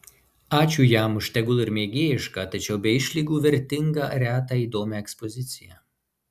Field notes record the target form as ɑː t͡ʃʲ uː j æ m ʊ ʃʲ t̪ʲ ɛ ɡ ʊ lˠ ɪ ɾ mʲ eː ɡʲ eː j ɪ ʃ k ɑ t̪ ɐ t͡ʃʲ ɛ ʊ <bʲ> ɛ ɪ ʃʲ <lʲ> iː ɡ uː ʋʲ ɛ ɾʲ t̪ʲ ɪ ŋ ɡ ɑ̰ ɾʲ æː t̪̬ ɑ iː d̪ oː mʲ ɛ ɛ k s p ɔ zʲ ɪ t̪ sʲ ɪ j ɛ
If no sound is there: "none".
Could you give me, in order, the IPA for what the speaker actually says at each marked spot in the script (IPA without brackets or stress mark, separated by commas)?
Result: bʲ, lʲ